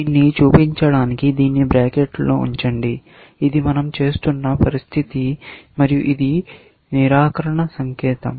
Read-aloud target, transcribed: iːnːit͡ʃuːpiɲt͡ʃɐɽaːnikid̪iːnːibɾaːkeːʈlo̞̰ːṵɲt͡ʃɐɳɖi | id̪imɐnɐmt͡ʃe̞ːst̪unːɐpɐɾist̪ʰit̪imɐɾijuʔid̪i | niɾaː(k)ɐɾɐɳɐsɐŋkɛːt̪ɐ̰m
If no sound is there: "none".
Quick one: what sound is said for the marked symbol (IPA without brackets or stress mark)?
k